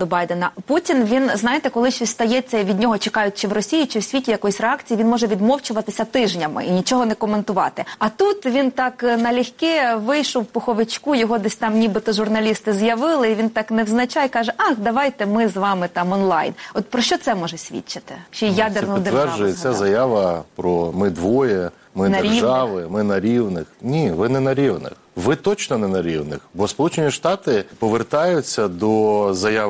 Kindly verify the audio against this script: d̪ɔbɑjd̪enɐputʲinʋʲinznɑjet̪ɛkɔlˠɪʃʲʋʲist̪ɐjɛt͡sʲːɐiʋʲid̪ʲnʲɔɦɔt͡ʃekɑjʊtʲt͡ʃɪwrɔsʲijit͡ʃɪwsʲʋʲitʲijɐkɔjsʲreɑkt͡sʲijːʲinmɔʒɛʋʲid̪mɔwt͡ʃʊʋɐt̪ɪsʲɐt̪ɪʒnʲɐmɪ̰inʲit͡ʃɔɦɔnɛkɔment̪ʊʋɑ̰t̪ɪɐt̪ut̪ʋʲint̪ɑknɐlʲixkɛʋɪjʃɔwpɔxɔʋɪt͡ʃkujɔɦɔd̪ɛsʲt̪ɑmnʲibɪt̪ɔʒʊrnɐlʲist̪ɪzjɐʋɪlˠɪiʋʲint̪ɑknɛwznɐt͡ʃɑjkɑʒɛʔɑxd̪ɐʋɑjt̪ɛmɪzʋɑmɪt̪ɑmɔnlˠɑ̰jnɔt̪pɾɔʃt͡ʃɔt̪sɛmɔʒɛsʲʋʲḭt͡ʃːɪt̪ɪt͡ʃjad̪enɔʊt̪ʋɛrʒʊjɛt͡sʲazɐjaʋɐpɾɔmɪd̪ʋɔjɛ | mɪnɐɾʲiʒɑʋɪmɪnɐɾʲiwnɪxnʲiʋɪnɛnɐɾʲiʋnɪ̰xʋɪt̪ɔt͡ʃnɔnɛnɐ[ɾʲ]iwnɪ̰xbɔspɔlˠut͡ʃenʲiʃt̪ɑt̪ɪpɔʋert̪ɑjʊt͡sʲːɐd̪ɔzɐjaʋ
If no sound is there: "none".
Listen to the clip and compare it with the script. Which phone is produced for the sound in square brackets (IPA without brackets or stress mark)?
ɾʲ